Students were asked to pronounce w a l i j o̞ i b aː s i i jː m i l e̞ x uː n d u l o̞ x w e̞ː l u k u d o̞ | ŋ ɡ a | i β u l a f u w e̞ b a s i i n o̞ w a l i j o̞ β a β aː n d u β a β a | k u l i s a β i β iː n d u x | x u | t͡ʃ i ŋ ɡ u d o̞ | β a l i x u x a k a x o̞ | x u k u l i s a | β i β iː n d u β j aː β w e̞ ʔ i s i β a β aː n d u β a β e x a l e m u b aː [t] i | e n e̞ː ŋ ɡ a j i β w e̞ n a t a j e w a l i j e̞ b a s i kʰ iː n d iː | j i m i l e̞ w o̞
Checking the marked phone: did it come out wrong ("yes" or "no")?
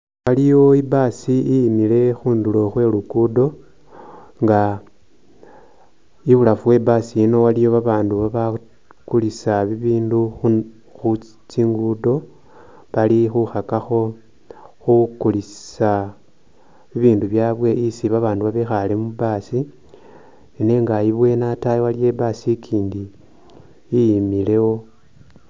yes